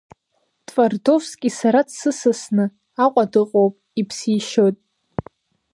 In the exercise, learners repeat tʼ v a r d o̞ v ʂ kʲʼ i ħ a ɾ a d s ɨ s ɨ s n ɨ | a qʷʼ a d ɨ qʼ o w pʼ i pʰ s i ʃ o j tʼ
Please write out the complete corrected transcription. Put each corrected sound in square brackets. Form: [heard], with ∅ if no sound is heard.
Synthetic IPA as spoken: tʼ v a r d o̞ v [s] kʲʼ i [s] a ɾ a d s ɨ s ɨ s n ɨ | a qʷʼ a d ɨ qʼ o w pʼ i pʰ s i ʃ o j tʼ